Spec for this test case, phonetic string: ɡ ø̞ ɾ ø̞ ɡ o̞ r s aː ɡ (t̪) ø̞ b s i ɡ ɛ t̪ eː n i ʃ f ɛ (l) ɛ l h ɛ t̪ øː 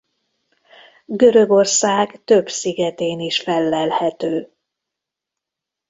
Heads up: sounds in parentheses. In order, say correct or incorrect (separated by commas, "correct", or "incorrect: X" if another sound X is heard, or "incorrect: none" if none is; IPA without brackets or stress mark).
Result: correct, incorrect: lː